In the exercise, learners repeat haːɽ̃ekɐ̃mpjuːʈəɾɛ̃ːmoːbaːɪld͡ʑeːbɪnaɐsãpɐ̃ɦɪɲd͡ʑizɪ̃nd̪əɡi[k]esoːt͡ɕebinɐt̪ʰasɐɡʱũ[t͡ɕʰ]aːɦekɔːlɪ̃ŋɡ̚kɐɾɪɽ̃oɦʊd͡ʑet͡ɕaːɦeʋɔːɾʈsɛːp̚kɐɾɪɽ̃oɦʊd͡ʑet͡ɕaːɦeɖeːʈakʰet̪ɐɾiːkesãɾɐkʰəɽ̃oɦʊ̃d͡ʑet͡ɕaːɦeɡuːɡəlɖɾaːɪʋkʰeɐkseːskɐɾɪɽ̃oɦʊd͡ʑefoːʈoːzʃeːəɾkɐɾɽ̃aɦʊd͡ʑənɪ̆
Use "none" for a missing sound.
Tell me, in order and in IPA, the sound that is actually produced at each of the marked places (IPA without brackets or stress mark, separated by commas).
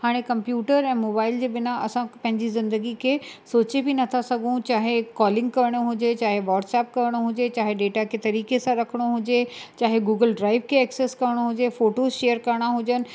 kʰ, t͡ɕ